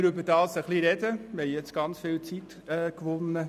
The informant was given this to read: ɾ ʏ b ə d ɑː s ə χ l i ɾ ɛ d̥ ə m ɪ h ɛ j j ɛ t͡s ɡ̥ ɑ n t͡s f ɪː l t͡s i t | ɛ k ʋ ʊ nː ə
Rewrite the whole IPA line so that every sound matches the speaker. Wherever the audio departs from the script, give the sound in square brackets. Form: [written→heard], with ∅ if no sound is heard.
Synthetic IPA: ɾ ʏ b ə d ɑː s ə χ l i ɾ ɛ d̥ ə m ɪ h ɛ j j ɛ t͡s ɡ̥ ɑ n t͡s f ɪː l t͡s i t | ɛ k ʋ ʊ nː ə